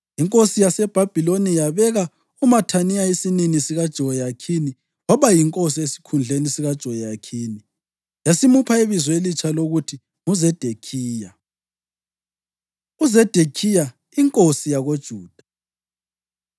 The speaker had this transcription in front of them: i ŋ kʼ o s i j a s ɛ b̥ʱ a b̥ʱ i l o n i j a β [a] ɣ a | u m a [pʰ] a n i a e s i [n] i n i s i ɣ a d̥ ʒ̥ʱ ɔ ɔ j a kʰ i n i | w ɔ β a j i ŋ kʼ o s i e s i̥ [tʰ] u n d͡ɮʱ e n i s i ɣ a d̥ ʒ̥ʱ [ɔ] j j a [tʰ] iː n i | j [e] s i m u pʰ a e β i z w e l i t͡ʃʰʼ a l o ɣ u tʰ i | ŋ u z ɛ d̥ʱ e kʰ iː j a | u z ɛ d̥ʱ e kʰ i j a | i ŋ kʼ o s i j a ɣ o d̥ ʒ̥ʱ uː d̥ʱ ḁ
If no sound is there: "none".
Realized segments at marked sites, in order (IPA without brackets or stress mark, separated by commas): ɛ, tʰ, n, kʰ, ɔ, kʰ, a